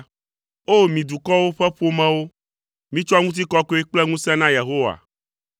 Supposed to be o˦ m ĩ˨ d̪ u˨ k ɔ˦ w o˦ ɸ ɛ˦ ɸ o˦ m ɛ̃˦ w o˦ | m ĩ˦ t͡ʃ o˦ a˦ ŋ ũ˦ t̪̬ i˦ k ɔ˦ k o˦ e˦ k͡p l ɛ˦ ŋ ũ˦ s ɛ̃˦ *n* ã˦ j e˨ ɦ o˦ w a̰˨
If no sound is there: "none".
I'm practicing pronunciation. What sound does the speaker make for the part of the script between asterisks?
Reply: n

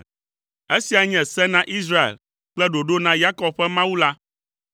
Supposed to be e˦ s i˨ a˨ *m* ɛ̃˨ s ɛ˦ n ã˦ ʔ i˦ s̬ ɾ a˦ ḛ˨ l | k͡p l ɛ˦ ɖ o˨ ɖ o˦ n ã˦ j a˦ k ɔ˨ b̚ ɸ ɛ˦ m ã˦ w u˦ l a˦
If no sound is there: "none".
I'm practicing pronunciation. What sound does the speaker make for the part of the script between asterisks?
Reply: ɲ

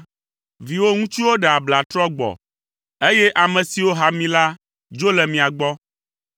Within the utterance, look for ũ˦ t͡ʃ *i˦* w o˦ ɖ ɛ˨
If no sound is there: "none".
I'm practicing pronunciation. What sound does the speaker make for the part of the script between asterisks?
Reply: i˦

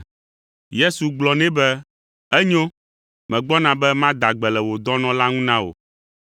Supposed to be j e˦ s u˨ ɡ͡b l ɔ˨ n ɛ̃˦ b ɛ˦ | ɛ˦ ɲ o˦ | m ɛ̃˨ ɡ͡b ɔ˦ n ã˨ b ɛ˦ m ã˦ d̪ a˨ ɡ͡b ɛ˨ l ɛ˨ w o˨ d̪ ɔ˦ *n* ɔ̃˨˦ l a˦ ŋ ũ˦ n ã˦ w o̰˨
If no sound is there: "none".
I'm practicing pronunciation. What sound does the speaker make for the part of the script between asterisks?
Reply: n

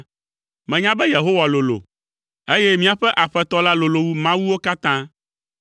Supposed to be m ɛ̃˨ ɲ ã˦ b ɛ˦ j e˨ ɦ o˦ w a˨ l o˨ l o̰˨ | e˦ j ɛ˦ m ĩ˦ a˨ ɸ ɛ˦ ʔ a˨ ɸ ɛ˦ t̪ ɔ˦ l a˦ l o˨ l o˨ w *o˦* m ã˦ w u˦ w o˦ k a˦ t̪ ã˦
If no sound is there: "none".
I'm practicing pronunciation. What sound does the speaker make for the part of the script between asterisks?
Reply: u˦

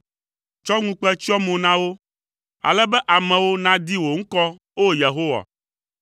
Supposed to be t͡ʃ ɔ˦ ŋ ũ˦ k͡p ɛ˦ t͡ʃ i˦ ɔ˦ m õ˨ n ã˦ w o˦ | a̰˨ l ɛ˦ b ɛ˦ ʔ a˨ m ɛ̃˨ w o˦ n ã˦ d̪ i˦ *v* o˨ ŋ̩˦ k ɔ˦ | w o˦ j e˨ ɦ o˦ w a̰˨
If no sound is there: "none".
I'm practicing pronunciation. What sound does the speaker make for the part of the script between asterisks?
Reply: w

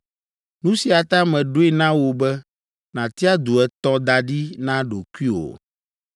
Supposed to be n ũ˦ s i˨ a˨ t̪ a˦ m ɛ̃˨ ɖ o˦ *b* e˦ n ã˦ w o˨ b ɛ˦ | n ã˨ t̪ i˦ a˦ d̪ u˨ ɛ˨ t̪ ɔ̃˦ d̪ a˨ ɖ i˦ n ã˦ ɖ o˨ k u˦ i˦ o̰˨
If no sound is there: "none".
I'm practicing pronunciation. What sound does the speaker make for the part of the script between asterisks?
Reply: none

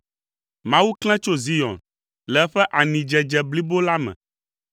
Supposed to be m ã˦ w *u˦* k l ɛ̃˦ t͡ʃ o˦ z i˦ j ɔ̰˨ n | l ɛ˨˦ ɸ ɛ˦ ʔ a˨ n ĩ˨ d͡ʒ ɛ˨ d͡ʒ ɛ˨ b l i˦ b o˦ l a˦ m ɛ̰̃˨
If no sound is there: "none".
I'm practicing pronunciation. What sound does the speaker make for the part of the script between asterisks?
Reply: u˦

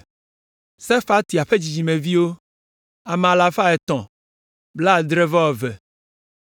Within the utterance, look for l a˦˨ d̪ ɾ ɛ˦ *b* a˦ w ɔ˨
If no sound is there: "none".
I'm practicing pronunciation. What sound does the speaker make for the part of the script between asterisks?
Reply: v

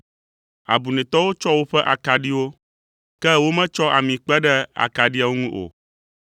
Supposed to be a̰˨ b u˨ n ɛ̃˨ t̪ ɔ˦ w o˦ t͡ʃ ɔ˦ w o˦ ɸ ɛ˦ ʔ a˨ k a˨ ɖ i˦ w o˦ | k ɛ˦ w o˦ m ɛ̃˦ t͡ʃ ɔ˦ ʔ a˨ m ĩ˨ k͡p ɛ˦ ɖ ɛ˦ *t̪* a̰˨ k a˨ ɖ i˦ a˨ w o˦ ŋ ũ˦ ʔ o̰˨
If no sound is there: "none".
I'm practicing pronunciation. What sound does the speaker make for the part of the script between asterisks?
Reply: none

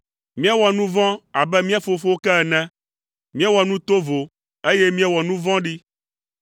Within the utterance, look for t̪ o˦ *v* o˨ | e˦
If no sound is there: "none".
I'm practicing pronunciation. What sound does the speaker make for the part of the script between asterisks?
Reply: v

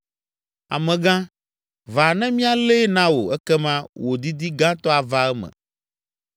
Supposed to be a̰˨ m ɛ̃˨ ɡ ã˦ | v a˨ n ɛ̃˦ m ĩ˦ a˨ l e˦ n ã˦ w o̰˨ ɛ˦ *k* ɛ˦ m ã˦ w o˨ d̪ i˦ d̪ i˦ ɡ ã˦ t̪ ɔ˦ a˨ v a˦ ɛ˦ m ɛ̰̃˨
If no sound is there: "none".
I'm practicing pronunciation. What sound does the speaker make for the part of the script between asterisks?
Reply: k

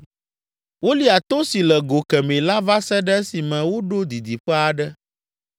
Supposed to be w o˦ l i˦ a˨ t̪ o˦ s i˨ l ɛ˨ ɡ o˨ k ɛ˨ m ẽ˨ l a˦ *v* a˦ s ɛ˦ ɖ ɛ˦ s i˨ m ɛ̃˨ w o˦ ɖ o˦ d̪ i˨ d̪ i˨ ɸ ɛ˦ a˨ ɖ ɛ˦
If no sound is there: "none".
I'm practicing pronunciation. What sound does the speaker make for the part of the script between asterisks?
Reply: v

